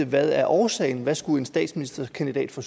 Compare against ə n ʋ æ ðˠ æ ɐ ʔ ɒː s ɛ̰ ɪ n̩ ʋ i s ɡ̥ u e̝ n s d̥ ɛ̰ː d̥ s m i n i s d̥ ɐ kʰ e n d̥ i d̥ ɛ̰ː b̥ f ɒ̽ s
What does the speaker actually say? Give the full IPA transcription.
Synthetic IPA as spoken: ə ʋ æ ðˠ æ ɐ ʔ ɒː s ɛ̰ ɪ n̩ ʋ æ s ɡ̥ u e̝ n s d̥ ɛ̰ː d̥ s m i n i s d̥ ɐ kʰ æ n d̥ i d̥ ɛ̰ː d̥ f ɒ̽ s